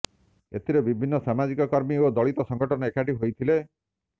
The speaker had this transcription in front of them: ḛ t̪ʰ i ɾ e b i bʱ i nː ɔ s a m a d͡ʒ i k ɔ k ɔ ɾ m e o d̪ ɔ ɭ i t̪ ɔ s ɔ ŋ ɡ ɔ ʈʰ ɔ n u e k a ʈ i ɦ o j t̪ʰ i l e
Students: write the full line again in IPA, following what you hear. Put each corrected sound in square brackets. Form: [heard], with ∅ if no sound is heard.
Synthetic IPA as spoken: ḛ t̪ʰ i ɾ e b i bʱ i nː ɔ s a m a d͡ʒ i k ɔ k ɔ ɾ m [i] o d̪ ɔ ɭ i t̪ ɔ s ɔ ŋ ɡ ɔ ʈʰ ɔ n [ɔ] e k a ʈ i ɦ o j t̪ʰ i l e